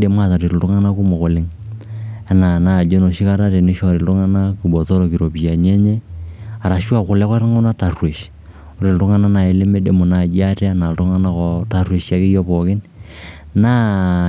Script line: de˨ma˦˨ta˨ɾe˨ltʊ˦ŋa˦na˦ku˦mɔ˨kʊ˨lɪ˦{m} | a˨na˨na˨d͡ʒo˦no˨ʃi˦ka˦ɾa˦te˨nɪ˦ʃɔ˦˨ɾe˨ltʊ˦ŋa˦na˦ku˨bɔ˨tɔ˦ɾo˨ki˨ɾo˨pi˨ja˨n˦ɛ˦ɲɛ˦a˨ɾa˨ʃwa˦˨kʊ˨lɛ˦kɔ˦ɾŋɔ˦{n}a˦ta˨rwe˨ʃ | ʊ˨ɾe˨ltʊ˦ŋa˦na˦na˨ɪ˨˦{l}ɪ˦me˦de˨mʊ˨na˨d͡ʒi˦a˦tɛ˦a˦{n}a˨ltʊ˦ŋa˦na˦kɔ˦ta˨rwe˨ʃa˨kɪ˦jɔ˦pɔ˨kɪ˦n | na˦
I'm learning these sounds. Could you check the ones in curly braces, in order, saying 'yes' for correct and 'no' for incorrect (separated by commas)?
no, yes, yes, yes